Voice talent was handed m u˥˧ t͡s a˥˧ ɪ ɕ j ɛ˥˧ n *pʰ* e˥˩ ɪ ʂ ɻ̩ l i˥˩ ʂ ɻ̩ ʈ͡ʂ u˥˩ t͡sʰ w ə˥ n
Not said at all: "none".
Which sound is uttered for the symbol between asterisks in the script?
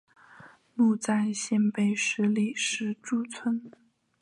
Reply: p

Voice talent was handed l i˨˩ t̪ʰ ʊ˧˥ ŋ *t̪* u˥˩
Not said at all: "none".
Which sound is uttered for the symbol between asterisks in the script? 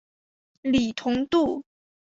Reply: t̪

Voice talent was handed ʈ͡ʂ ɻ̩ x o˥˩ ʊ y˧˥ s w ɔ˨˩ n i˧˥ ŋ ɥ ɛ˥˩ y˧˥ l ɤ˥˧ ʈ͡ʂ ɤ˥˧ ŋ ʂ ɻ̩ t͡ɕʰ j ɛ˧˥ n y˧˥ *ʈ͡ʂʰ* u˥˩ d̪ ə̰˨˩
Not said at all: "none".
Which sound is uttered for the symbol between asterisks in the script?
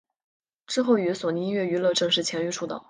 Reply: ʈ͡ʂʰ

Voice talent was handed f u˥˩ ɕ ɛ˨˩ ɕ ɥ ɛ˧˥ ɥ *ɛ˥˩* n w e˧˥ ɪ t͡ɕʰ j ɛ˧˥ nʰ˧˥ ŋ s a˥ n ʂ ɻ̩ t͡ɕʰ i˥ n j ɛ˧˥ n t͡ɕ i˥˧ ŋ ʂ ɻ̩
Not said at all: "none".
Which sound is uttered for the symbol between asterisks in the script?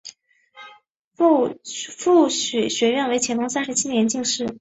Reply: ɛ˥˩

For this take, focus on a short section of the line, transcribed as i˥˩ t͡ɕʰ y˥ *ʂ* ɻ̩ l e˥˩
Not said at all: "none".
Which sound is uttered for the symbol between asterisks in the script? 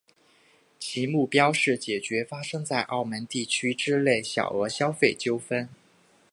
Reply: ʈ͡ʂ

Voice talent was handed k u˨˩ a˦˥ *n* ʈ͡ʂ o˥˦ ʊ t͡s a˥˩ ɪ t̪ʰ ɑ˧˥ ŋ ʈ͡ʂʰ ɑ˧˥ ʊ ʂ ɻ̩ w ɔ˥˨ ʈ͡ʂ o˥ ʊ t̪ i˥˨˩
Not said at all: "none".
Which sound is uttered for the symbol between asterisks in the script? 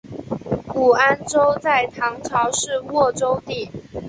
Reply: n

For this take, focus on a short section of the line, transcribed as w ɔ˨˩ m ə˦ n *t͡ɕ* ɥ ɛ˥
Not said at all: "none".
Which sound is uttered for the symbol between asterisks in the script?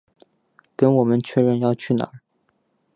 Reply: t͡ɕʰ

